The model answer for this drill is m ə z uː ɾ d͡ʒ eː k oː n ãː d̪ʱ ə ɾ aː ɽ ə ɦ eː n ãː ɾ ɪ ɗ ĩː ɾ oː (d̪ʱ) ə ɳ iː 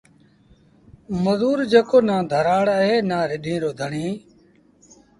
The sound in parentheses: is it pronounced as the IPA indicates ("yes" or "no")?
yes